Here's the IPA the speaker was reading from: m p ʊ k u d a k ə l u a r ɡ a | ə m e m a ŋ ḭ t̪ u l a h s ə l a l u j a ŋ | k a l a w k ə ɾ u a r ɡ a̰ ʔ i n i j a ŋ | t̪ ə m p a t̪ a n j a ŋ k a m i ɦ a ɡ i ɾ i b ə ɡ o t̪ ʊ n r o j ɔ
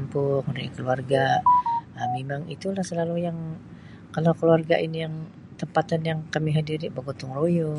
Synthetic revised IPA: m p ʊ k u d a k ə l u a r ɡ a | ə m e m a ŋ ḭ t̪ u l a h s ə l a l u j a ŋ | k a l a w k ə l u a r ɡ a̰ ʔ i n i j a ŋ | t̪ ə m p a t̪ a n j a ŋ k a m i ɦ a d i ɾ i b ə ɡ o t̪ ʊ ŋ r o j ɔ